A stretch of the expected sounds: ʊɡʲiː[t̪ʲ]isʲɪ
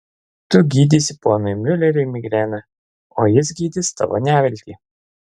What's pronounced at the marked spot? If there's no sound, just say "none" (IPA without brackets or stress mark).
d̪ʲ